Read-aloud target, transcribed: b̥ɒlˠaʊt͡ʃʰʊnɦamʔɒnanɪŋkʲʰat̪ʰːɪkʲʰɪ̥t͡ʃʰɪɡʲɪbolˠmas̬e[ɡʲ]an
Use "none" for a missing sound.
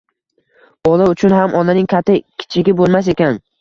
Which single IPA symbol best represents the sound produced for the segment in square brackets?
kʲ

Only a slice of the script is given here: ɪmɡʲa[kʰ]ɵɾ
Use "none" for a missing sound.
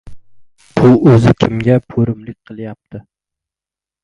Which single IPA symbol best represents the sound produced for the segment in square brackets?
pʰ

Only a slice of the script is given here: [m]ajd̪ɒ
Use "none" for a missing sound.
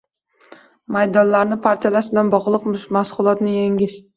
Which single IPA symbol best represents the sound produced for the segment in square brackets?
m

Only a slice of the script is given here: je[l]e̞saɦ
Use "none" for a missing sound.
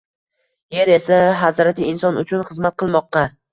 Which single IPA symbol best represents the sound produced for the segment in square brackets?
ɾ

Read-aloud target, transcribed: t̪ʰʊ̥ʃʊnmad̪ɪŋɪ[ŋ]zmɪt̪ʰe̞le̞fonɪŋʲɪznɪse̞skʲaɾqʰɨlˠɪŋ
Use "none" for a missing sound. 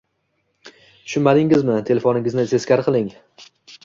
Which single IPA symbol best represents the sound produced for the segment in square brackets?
none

